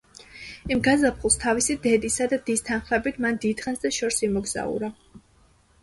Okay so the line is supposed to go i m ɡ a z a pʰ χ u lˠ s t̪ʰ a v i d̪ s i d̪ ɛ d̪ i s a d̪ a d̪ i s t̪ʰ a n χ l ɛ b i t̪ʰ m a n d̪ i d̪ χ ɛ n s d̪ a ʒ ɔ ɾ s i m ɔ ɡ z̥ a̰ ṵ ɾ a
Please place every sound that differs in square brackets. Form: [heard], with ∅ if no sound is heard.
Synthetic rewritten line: i m ɡ a z a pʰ χ u lˠ s t̪ʰ a v i [∅] s i d̪ ɛ d̪ i s a d̪ a d̪ i s t̪ʰ a n χ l ɛ b i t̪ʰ m a n d̪ i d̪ χ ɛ n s d̪ a [ʃ] ɔ ɾ s i m ɔ ɡ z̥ a̰ ṵ ɾ a